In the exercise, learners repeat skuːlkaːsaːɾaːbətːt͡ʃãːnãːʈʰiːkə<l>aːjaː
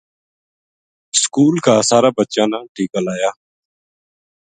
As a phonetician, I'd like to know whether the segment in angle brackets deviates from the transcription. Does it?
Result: no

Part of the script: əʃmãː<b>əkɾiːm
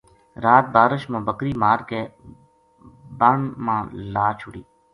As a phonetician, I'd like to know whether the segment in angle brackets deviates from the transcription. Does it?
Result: no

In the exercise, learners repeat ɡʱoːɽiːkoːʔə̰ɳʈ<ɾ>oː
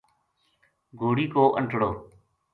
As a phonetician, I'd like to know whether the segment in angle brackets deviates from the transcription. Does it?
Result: yes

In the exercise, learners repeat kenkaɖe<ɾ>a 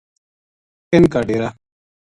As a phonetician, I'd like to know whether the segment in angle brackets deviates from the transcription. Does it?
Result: no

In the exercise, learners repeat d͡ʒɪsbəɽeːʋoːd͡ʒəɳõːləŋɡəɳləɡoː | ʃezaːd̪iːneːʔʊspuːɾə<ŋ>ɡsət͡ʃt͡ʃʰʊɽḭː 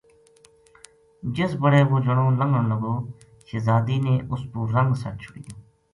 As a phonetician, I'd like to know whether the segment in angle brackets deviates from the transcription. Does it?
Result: no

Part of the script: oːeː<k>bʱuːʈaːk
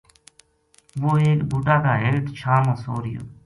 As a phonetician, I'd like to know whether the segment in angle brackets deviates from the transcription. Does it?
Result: no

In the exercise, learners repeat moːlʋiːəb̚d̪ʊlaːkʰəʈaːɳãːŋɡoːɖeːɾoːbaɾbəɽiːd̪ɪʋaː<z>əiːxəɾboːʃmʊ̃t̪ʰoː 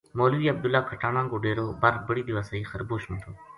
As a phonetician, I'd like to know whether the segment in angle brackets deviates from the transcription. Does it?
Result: yes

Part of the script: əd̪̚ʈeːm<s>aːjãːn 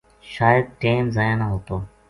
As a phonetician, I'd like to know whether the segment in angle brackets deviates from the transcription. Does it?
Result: yes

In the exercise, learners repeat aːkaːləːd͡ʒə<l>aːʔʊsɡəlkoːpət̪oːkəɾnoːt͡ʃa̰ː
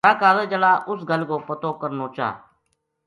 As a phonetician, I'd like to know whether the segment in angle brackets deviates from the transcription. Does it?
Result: no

